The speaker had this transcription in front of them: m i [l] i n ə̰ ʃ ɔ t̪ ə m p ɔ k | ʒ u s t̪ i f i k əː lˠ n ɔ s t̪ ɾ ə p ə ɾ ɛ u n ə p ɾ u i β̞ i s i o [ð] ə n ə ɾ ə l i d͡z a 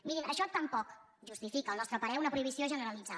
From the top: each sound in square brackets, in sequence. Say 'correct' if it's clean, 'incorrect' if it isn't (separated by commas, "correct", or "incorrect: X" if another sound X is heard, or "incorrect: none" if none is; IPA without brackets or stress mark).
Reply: incorrect: ɾ, incorrect: ʒ